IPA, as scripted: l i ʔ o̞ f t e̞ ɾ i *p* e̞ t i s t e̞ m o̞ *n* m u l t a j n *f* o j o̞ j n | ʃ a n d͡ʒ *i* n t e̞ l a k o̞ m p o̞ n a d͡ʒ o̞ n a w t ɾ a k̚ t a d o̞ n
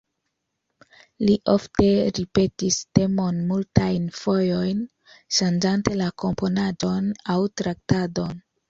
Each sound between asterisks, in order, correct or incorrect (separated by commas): correct, correct, correct, incorrect